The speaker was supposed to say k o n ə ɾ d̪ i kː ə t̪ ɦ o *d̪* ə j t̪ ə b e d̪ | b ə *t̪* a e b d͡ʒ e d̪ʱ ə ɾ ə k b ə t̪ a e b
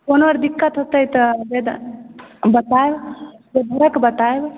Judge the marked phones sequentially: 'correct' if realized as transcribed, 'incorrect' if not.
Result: incorrect: t̪, correct

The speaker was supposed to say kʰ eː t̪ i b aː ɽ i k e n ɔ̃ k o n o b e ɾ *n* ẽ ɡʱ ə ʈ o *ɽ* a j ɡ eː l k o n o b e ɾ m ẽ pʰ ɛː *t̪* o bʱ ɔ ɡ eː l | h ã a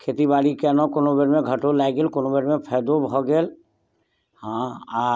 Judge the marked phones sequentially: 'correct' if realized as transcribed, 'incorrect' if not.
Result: incorrect: m, incorrect: l, incorrect: d̪

